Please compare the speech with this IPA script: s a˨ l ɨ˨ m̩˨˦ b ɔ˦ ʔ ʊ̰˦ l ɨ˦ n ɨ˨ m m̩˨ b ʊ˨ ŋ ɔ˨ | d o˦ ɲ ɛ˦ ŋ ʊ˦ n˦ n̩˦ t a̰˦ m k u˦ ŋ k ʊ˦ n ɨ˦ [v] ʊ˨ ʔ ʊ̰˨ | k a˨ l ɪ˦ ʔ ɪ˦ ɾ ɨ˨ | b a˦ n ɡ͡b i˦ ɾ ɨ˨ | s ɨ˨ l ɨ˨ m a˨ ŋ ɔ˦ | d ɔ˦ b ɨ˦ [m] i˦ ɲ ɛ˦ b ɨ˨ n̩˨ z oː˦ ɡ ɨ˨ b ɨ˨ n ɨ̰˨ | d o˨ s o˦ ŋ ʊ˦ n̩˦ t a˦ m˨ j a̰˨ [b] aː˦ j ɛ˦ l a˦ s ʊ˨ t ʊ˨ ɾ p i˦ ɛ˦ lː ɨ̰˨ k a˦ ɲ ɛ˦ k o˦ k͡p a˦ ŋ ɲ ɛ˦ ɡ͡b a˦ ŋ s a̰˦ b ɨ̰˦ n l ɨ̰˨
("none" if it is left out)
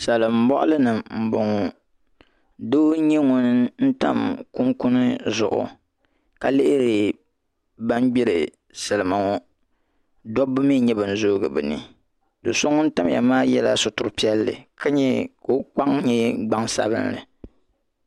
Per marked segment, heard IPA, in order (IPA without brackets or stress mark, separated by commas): z, m, m